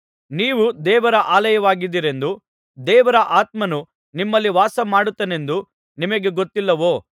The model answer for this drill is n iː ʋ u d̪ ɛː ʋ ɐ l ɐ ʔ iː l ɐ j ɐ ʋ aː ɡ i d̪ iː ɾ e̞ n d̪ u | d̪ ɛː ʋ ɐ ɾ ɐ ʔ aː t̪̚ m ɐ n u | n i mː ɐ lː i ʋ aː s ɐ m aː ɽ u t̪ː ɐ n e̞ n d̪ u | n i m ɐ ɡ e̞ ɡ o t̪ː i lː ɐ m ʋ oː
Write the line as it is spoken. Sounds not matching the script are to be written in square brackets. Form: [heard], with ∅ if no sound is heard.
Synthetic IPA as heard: n iː ʋ u d̪ ɛː ʋ ɐ [ɾ] ɐ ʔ [aː] l ɐ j ɐ ʋ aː ɡ i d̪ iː ɾ e̞ n d̪ u | d̪ ɛː ʋ ɐ ɾ ɐ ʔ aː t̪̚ m ɐ n u | n i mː ɐ lː i ʋ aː s ɐ m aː ɽ u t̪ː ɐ n e̞ n d̪ u | n i m ɐ ɡ e̞ ɡ o t̪ː i lː ɐ [∅] ʋ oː

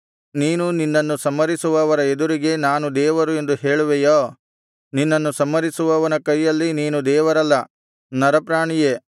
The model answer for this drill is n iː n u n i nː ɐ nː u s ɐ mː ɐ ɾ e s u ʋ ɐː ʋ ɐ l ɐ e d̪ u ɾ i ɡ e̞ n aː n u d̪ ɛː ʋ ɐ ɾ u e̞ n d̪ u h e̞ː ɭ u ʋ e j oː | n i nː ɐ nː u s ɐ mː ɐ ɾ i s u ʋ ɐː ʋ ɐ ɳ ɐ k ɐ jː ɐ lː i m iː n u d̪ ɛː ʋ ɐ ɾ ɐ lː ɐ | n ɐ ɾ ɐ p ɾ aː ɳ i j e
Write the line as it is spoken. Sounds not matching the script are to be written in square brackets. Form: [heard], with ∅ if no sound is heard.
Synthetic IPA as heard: n iː n u n i nː ɐ nː u s ɐ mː ɐ ɾ [i] s u ʋ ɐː ʋ ɐ [ɾ] ɐ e d̪ u ɾ i ɡ e̞ n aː n u d̪ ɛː ʋ ɐ ɾ u e̞ n d̪ u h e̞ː ɭ u ʋ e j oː | n i nː ɐ nː u s ɐ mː ɐ ɾ i s u ʋ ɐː ʋ ɐ [n] ɐ k ɐ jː ɐ lː i [n] iː n u d̪ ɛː ʋ ɐ ɾ ɐ lː ɐ | n ɐ ɾ ɐ p ɾ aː ɳ i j e

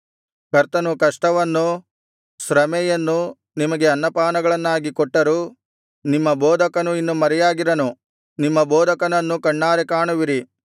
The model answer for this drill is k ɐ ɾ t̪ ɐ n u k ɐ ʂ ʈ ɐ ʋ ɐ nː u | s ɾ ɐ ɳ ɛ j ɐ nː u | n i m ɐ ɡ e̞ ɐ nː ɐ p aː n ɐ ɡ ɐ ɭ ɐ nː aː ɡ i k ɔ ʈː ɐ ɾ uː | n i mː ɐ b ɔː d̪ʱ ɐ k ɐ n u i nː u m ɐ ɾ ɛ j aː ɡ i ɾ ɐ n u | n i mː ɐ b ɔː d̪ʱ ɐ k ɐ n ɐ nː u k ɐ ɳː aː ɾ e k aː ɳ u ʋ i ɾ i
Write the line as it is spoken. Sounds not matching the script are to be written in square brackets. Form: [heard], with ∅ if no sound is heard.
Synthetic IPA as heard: k ɐ ɾ t̪ ɐ n u k ɐ ʂ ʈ ɐ ʋ ɐ nː u | s ɾ ɐ [m] ɛ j ɐ nː u | n i m ɐ ɡ e̞ ɐ nː ɐ p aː n ɐ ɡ ɐ ɭ ɐ nː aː ɡ i k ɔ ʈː ɐ ɾ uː | n i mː ɐ b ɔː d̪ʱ ɐ k ɐ n u i nː u m ɐ ɾ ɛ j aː ɡ i ɾ ɐ n u | n i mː ɐ b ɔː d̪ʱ ɐ k ɐ n ɐ nː u k ɐ ɳː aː ɾ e k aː ɳ u ʋ i ɾ i

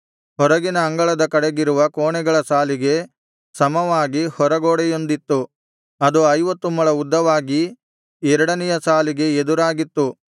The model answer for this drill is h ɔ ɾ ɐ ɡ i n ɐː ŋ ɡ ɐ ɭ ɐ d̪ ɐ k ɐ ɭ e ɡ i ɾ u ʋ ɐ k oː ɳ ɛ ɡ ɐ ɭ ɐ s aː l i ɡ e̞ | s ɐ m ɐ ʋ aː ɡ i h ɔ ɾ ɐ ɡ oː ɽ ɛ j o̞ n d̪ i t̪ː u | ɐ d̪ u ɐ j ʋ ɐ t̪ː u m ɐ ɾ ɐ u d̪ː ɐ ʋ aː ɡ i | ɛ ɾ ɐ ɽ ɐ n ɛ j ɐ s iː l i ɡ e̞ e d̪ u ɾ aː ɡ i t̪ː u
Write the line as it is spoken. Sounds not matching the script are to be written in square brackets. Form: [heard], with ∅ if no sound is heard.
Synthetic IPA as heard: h ɔ ɾ ɐ ɡ i n ɐː ŋ ɡ ɐ ɭ ɐ d̪ ɐ k ɐ [ɽ] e ɡ i ɾ u ʋ ɐ k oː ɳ ɛ ɡ ɐ ɭ ɐ s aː l i ɡ e̞ | s ɐ m ɐ ʋ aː ɡ i h ɔ ɾ ɐ ɡ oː ɽ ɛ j o̞ n d̪ i t̪ː u | ɐ d̪ u ɐ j ʋ ɐ t̪ː u m ɐ [ɭ] ɐ u d̪ː ɐ ʋ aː ɡ i | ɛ ɾ ɐ ɽ ɐ n ɛ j ɐ s [aː] l i ɡ e̞ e d̪ u ɾ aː ɡ i t̪ː u

